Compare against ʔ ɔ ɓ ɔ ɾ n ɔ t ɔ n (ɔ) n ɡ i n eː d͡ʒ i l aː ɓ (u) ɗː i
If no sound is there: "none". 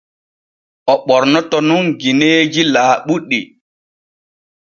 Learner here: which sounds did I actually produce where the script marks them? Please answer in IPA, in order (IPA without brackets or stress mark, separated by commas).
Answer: u, u